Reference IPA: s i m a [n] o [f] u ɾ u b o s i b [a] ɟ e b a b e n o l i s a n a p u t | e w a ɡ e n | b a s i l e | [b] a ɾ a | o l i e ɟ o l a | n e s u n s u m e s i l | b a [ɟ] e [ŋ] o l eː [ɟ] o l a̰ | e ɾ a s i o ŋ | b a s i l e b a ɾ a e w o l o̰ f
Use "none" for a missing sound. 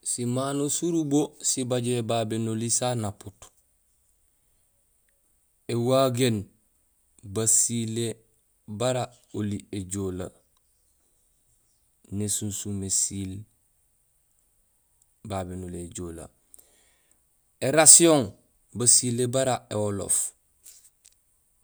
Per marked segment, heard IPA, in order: n, s, a, b, b, n, ɟ

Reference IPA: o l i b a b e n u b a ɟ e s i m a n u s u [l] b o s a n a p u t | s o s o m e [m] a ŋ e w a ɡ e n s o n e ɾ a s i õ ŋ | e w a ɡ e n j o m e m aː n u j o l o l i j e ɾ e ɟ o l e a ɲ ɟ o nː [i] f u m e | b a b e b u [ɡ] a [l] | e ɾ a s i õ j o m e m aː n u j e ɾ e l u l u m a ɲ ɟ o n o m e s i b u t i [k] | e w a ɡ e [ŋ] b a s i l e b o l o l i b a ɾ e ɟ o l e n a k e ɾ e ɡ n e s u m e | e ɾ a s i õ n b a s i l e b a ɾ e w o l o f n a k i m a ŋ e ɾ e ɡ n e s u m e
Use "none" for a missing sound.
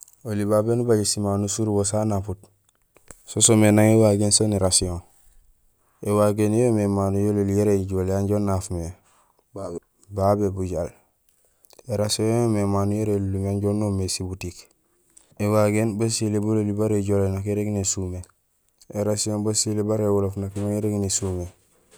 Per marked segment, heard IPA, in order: ɾ, n, a, ɟ, l, k, n

